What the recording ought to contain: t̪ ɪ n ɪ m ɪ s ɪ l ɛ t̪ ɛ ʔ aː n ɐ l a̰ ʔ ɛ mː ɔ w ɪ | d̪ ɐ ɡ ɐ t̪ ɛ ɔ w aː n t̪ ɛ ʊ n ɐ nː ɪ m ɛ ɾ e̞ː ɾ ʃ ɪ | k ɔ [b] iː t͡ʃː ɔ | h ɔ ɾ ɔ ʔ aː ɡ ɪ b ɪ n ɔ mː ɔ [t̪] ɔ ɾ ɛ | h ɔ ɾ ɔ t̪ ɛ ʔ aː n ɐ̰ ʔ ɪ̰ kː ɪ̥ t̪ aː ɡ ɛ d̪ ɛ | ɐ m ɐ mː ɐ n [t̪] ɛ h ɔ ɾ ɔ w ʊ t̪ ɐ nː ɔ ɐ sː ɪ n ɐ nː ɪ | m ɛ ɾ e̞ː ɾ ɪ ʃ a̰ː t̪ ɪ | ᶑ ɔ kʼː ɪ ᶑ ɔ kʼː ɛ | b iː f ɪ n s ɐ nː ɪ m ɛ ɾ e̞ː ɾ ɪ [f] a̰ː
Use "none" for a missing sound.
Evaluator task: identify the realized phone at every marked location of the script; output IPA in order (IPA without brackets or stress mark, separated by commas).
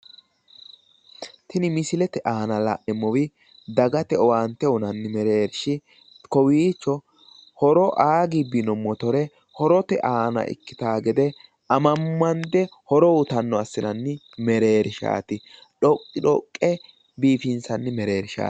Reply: w, t̪, d̪, ʃ